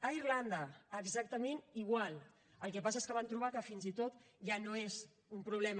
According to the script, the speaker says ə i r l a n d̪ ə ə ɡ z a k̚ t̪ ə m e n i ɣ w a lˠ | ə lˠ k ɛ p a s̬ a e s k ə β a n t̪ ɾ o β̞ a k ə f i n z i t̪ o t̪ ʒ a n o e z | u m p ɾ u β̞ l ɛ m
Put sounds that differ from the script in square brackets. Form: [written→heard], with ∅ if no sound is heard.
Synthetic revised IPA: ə i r l a n d̪ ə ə ɡ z a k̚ t̪ ə m e n i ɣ w a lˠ | ə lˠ k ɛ p a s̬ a e s k ə β a n t̪ ɾ [o→u] β̞ a k ə f i n z i t̪ o t̪ ʒ a n o e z | u m p ɾ u β̞ l ɛ m